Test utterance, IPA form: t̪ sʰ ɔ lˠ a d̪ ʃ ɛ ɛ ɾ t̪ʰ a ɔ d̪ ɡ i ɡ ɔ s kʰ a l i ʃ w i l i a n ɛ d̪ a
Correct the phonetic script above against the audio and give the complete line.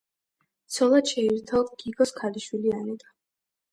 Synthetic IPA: t̪ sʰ ɔ lˠ a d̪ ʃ ɛ i ɾ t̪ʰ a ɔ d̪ ɡ i ɡ ɔ s kʰ a l i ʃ w i l i a n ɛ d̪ a